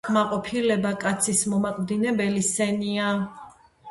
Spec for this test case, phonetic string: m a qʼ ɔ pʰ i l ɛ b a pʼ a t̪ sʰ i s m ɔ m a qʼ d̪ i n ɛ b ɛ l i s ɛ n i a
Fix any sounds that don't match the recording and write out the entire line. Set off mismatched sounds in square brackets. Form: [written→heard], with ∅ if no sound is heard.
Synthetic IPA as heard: m a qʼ ɔ pʰ i l ɛ b a [pʼ→kʼ] a t̪ sʰ i s m ɔ m a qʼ d̪ i n ɛ b ɛ l i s ɛ n i a